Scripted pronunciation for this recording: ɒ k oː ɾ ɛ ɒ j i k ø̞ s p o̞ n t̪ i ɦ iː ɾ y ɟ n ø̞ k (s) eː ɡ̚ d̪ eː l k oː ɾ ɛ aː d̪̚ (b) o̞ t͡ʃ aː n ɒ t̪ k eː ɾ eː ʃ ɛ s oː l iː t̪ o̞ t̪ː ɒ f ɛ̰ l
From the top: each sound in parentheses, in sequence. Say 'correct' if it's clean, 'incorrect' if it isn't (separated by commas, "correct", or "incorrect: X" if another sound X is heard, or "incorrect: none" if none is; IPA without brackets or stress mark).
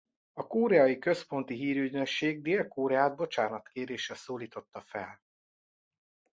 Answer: incorrect: ʃ, correct